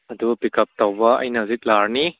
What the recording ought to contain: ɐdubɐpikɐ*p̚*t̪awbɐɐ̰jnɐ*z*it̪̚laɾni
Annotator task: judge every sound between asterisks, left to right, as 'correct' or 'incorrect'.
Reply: correct, correct

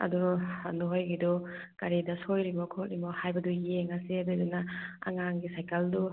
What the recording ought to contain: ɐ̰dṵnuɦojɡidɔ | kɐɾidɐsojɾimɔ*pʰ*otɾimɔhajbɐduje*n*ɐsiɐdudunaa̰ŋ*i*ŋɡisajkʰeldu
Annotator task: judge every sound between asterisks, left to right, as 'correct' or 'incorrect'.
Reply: incorrect, incorrect, incorrect

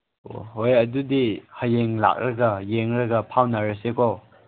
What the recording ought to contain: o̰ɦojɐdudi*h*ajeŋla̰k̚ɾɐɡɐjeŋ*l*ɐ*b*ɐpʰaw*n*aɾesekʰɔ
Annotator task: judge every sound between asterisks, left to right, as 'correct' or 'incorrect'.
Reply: correct, incorrect, incorrect, correct

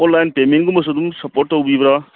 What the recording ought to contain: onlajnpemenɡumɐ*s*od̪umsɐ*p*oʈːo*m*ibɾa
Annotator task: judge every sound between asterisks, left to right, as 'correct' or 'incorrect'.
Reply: correct, correct, incorrect

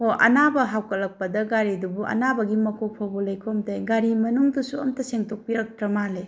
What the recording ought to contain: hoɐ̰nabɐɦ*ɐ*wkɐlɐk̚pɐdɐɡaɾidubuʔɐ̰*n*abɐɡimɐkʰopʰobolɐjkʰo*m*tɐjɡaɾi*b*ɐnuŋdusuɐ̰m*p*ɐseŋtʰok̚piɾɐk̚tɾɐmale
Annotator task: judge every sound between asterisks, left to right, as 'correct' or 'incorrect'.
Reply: incorrect, correct, correct, incorrect, incorrect

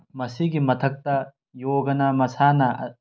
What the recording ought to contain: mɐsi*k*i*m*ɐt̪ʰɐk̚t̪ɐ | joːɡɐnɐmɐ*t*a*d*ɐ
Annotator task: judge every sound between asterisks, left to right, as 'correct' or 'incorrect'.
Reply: incorrect, correct, incorrect, incorrect

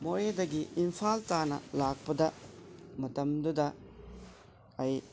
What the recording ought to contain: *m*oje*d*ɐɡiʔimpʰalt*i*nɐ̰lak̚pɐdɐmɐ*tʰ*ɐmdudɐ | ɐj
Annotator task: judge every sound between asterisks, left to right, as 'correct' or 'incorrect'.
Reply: correct, correct, incorrect, incorrect

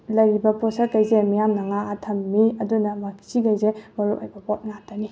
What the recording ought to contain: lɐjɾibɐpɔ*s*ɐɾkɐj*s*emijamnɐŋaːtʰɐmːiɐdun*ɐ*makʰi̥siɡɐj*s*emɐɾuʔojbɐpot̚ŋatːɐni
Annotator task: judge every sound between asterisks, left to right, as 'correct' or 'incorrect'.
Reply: correct, incorrect, correct, incorrect

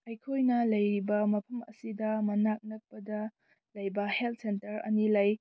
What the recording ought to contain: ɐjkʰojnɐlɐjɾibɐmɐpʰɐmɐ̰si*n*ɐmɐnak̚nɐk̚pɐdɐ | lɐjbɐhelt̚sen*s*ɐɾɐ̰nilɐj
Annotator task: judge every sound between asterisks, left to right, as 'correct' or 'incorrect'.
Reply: incorrect, incorrect

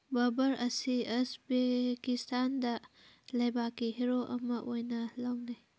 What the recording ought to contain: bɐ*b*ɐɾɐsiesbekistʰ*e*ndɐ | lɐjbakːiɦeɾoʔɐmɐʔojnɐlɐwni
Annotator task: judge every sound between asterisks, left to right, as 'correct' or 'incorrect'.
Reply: correct, incorrect

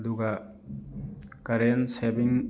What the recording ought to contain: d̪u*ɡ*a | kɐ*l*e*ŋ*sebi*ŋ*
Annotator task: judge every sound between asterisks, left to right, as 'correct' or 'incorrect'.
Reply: correct, incorrect, incorrect, correct

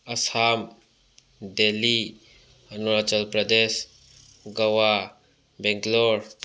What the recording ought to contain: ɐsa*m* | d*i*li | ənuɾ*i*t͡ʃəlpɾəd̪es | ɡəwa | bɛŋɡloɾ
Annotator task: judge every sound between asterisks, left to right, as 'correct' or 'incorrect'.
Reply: correct, incorrect, incorrect

